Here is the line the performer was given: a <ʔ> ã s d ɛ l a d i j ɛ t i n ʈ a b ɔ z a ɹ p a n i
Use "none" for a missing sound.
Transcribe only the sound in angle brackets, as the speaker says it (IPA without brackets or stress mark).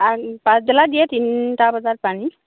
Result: p